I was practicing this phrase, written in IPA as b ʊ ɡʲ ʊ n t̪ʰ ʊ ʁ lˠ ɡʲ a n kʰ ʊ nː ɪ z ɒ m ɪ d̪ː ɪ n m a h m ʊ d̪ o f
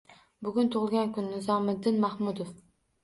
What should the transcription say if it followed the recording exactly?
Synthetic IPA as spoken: b ʊ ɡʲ ʊ n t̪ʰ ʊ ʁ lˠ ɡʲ a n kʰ ʊ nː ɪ z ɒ m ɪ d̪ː ɪ n m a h m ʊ d̪ o f